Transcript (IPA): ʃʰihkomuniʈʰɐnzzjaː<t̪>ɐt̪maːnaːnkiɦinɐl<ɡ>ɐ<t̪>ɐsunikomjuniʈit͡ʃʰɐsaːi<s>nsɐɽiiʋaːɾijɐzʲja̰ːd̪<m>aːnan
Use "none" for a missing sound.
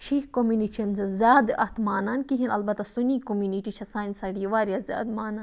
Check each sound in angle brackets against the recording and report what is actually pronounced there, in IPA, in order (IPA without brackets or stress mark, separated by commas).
d̪, b, t̪, none, m